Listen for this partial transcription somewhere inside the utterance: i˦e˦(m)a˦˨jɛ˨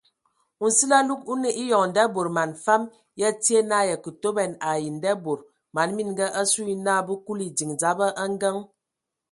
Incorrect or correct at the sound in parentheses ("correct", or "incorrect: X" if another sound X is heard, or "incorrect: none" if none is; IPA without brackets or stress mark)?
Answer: incorrect: n